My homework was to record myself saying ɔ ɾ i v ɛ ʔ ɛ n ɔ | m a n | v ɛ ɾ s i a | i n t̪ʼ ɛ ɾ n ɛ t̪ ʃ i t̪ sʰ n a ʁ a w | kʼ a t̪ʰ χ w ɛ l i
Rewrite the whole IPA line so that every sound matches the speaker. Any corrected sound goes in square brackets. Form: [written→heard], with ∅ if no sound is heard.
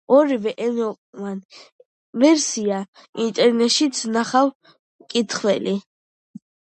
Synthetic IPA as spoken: ɔ ɾ i v ɛ ʔ ɛ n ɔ | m a n | v ɛ ɾ s i a | i n t̪ʼ ɛ ɾ n ɛ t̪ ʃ i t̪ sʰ n a [ʁ→χ] a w | kʼ [a→i] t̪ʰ χ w ɛ l i